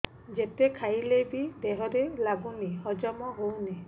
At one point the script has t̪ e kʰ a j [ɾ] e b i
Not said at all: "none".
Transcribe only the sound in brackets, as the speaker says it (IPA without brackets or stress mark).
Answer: l